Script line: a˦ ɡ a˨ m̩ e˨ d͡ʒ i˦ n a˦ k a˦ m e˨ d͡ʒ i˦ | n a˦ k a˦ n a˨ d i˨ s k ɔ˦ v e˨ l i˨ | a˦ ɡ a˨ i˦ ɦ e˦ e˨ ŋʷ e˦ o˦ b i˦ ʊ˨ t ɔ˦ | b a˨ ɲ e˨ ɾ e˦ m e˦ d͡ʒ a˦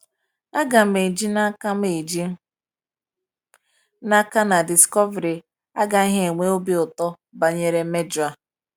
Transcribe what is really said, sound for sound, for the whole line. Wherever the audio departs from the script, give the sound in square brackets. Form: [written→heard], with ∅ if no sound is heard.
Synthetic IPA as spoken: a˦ ɡ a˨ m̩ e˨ d͡ʒ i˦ n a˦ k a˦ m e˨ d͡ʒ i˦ | n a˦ k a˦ n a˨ d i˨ s k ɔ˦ v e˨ [l→ɾ] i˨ | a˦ ɡ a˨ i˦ ɦ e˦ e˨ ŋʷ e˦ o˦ b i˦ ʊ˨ t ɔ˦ | b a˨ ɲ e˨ ɾ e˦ m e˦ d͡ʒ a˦